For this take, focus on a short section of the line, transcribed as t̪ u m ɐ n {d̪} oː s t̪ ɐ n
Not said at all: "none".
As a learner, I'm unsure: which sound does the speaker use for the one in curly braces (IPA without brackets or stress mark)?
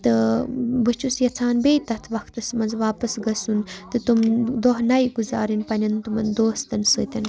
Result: d̪